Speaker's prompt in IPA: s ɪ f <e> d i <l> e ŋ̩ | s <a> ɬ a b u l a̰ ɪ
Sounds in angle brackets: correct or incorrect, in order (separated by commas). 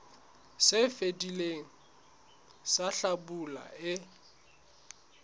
correct, correct, correct